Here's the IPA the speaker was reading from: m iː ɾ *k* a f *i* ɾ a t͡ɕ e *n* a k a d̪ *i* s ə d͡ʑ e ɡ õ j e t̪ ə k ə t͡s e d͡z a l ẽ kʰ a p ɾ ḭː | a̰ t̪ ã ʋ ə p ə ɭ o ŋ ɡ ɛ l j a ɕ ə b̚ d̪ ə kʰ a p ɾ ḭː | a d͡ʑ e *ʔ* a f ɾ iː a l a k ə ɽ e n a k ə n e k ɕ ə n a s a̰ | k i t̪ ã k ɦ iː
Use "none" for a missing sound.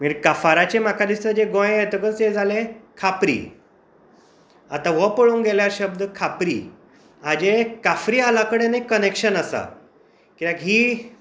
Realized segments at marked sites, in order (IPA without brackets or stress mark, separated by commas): k, a, m, i, k